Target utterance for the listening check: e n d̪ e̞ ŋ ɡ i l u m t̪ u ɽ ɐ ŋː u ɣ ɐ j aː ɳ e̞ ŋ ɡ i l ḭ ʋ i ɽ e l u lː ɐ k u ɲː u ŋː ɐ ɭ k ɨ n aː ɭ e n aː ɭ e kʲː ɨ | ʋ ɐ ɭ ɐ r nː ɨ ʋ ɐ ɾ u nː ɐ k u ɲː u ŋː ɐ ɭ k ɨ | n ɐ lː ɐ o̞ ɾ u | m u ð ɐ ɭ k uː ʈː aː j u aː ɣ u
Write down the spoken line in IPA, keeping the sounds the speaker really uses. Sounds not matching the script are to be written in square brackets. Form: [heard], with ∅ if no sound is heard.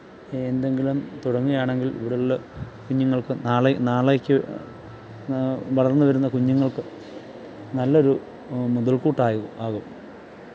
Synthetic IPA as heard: e n d̪ e̞ ŋ ɡ i l u m t̪ u ɽ ɐ ŋː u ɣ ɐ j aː ɳ e̞ ŋ ɡ i l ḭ ʋ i ɽ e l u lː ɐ k u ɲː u ŋː ɐ ɭ k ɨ n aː ɭ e n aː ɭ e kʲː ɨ | ʋ ɐ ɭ ɐ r nː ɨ ʋ ɐ ɾ u nː ɐ k u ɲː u ŋː ɐ ɭ k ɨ | n ɐ lː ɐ o̞ ɾ u | m u ð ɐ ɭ k uː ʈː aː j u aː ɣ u